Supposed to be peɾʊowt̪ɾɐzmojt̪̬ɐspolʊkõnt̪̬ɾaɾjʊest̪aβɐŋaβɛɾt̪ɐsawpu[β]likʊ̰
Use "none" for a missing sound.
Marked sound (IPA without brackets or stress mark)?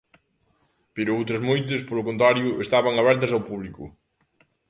β